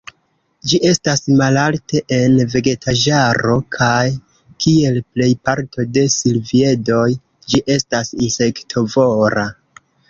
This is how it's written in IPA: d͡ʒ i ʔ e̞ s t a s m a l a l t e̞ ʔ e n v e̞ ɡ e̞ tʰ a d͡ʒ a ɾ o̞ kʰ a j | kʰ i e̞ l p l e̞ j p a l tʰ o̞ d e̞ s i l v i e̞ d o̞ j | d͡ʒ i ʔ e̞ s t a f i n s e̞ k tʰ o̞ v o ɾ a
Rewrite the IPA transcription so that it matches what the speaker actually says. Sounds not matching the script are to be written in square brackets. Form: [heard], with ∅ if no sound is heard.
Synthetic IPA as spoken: d͡ʒ i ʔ e̞ s t a s m a l a l t e̞ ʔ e n v e̞ ɡ e̞ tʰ a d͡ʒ a ɾ o̞ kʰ a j | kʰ i e̞ l p l e̞ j p a [ɾ] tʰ o̞ d e̞ s i l v i e̞ d o̞ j | d͡ʒ i ʔ e̞ s t a [s] i n s e̞ k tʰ o̞ v o ɾ a